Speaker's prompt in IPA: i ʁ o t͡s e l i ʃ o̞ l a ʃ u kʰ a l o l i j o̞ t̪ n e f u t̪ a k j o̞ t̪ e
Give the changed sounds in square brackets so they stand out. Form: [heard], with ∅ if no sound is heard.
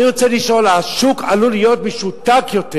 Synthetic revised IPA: i ʁ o t͡s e l i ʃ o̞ l a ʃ u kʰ a l [u] l i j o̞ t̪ [m] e [ʃ] u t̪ a k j o̞ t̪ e